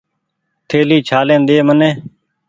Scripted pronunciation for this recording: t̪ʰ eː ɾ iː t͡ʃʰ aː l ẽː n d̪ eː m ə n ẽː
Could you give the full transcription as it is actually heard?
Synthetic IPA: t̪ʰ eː l iː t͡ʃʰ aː l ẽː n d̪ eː m ə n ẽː